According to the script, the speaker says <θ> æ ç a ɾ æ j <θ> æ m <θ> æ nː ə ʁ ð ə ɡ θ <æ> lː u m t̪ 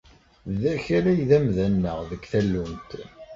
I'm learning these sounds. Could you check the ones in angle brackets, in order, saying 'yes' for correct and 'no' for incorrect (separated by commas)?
no, no, no, yes